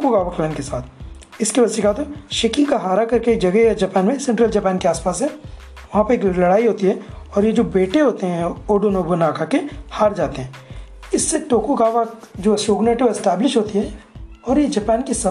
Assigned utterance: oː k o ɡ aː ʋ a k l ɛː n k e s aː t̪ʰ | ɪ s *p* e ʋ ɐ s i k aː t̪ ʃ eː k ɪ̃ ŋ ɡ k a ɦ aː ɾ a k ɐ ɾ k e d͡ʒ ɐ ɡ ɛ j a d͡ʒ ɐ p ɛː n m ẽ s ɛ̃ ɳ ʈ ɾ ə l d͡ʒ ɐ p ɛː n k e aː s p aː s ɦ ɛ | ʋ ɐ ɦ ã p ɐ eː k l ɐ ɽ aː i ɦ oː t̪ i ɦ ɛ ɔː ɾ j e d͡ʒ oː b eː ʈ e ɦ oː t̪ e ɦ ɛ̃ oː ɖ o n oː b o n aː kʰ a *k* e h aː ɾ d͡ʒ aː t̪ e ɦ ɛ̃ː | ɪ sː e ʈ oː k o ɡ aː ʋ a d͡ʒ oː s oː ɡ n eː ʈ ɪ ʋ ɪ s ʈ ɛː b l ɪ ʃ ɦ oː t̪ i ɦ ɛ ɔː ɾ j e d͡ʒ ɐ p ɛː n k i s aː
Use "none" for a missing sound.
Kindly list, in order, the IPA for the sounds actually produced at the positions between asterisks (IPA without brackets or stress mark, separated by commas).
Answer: k, k